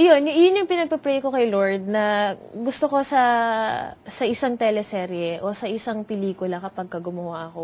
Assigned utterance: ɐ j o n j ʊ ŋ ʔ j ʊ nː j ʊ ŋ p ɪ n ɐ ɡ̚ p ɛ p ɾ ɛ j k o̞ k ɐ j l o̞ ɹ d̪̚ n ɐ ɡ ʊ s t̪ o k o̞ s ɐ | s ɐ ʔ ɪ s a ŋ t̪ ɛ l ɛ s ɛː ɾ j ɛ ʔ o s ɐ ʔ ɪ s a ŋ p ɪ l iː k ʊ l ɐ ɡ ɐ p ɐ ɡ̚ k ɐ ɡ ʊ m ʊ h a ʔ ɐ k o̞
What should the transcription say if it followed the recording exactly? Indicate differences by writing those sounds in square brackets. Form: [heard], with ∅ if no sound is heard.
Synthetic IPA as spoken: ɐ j o n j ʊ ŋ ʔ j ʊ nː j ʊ ŋ p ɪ n ɐ ɡ̚ p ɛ p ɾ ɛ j k o̞ k ɐ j l o̞ ɹ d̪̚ n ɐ ɡ ʊ s t̪ o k o̞ s ɐ | s ɐ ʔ ɪ s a ŋ t̪ ɛ l ɛ s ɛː ɾ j ɛ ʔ o s ɐ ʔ ɪ s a ŋ p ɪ l iː k ʊ l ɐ [k] ɐ p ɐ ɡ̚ k ɐ ɡ ʊ m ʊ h a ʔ ɐ k o̞